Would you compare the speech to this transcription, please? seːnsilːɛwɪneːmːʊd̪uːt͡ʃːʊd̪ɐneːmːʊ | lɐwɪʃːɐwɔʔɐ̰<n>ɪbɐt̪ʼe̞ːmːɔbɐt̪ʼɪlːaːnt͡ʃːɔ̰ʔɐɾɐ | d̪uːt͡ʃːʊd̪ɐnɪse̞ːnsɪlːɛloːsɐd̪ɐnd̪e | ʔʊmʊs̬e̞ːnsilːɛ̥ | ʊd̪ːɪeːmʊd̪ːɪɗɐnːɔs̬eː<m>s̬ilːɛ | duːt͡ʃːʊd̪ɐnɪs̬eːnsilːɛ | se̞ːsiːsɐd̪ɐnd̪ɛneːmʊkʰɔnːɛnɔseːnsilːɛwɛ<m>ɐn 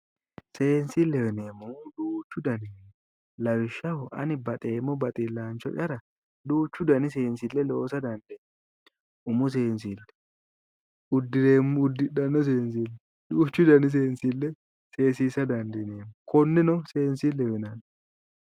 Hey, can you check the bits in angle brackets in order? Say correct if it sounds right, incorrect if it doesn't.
correct, incorrect: n, incorrect: n

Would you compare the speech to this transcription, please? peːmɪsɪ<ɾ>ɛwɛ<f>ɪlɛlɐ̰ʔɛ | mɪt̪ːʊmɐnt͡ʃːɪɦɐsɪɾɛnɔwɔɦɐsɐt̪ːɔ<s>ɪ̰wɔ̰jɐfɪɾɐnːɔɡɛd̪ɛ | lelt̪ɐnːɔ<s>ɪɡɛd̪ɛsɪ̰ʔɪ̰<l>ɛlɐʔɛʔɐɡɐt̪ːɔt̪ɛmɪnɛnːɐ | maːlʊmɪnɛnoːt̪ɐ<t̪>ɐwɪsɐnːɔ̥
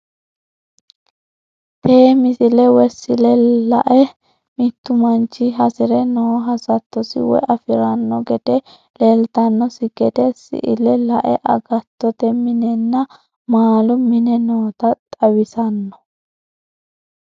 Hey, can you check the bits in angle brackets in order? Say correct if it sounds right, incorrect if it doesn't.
incorrect: l, incorrect: s, correct, correct, correct, incorrect: t̪ʼ

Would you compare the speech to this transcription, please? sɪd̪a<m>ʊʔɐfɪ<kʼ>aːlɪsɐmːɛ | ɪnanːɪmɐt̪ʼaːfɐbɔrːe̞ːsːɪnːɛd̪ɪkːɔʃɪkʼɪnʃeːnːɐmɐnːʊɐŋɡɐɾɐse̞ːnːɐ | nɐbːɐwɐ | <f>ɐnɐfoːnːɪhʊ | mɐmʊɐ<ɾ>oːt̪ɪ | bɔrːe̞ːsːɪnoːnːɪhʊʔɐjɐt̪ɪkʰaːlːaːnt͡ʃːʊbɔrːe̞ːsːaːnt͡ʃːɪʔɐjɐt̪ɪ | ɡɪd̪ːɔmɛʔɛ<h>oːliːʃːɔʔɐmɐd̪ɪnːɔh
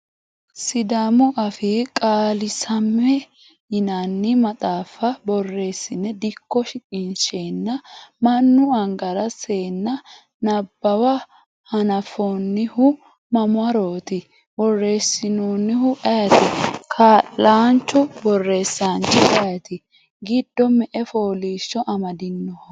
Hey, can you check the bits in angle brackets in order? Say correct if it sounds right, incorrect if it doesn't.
correct, correct, incorrect: h, correct, incorrect: f

